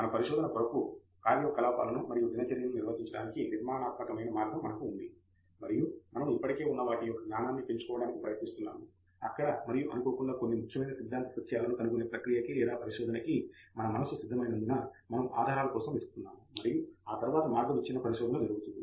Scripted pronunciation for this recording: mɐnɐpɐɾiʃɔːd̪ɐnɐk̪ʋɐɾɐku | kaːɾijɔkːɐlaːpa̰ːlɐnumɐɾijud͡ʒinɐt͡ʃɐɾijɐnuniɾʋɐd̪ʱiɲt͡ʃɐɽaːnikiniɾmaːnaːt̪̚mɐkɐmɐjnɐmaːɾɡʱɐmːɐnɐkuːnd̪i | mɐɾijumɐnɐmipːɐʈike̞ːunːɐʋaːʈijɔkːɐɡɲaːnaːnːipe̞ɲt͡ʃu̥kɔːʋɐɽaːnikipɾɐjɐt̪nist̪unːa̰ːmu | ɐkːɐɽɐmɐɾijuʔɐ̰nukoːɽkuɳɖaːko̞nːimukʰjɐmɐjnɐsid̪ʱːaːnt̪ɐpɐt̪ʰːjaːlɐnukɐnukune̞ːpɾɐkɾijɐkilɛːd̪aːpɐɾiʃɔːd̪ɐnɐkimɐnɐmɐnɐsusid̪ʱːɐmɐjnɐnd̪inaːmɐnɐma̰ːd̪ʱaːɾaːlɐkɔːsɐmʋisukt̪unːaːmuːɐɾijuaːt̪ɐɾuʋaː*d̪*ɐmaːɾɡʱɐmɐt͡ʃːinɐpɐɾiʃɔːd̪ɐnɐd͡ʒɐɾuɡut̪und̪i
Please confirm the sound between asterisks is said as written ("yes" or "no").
no